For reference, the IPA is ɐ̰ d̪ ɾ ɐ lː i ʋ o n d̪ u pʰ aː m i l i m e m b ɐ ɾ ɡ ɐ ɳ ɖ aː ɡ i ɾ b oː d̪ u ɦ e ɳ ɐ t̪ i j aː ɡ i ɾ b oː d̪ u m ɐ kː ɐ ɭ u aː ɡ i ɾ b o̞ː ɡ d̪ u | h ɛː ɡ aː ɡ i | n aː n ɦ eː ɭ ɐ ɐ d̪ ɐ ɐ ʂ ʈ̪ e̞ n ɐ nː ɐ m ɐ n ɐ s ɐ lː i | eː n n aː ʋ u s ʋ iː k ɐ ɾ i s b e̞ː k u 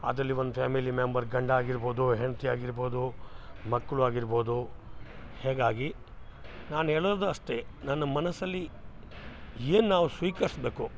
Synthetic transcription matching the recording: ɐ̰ d̪ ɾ ɐ lː i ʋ o n d̪ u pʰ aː m i l i m e m b ɐ ɾ ɡ ɐ ɳ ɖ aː ɡ i ɾ b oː d̪ u ɦ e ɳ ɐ t̪ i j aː ɡ i ɾ b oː d̪ u m ɐ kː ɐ ɭ u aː ɡ i ɾ b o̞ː d̪ u | h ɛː ɡ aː ɡ i | n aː n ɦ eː ɭ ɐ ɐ d̪ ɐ ɐ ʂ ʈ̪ e̞ n ɐ nː ɐ m ɐ n ɐ s ɐ lː i | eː n n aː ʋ u s ʋ iː k ɐ ɾ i s b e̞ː k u